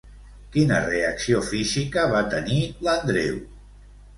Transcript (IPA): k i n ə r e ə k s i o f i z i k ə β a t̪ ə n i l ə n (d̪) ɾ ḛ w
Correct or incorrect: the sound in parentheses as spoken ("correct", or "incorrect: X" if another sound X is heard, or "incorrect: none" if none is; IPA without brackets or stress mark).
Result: correct